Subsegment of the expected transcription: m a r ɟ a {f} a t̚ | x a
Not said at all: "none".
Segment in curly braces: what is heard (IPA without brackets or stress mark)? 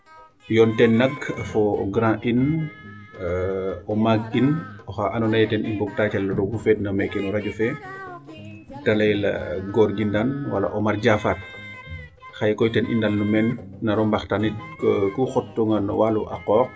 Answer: f